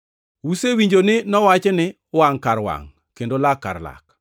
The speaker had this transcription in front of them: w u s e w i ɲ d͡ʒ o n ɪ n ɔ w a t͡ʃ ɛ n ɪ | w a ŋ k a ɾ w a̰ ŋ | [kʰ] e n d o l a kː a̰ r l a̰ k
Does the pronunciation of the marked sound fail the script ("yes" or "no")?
yes